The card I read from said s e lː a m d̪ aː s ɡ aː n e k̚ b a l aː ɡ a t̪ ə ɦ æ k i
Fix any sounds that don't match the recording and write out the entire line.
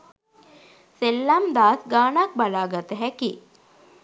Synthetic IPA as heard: s e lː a m d̪ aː s ɡ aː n a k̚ b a l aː ɡ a t̪ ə ɦ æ k i